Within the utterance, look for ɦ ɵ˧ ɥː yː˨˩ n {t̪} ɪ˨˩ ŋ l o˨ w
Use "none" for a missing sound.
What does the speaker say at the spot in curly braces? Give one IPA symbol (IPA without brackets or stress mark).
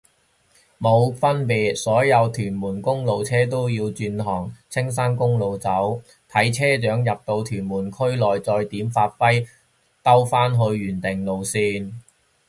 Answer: t̪